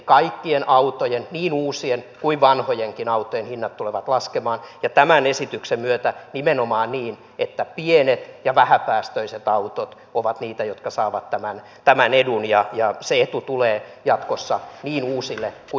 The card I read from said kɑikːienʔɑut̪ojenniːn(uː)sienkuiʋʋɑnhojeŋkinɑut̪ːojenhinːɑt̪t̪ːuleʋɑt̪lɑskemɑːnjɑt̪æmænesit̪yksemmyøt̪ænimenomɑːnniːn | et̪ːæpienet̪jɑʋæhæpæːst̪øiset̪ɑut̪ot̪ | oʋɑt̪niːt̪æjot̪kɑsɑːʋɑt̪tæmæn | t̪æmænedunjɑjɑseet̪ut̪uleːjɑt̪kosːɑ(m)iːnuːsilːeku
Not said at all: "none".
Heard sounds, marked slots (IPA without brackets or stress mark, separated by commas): uː, n